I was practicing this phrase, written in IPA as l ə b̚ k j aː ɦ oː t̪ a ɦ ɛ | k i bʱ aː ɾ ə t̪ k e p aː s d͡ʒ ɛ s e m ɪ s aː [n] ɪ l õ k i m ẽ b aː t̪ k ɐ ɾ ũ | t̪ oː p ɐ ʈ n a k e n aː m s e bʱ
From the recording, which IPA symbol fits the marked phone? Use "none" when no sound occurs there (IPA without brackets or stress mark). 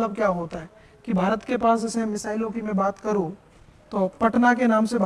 none